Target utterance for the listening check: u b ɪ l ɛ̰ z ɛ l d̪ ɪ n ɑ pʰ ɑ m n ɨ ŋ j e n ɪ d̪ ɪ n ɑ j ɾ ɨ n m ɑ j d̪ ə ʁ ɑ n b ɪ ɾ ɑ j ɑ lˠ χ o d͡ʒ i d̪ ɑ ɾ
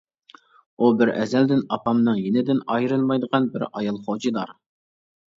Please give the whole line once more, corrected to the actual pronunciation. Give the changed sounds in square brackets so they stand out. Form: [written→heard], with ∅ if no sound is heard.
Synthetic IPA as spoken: u b ɪ [l→ɾ] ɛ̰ z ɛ l d̪ ɪ n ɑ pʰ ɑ m n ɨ ŋ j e n ɪ d̪ ɪ n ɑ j ɾ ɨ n m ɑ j d̪ ə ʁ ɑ n b ɪ ɾ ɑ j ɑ lˠ χ o d͡ʒ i d̪ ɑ ɾ